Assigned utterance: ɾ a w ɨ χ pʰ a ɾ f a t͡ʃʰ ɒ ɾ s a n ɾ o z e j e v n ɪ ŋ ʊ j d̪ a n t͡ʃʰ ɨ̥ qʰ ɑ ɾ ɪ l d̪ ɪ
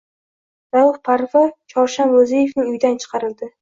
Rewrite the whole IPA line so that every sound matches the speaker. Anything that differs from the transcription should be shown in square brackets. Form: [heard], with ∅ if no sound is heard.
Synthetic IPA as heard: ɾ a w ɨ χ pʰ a ɾ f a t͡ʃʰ ɒ ɾ [ʃ] a n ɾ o z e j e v n ɪ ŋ ʊ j d̪ a n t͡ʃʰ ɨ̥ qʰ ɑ ɾ ɪ l d̪ ɪ